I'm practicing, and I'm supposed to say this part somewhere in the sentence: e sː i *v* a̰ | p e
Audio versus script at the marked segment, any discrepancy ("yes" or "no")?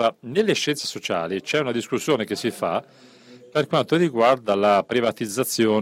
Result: yes